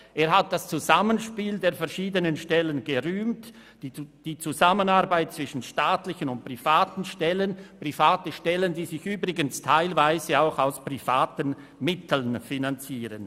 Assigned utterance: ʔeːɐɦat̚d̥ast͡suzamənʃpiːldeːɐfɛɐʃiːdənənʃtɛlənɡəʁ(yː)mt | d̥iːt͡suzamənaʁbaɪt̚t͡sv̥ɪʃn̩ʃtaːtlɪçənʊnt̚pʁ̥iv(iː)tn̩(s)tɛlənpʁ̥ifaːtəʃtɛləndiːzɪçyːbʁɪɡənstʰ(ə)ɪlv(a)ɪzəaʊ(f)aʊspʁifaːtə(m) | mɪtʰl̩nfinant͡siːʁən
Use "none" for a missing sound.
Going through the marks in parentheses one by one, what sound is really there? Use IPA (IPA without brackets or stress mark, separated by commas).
yː, aː, ʃ, a, a, x, n